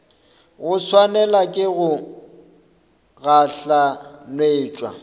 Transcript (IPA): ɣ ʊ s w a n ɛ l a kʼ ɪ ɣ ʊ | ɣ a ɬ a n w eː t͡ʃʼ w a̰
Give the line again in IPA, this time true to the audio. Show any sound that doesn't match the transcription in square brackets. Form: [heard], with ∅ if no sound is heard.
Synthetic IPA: ɣ ʊ s w a n ɛ l a kʼ ɪ ɣ ʊ | ɣ a ɬ a n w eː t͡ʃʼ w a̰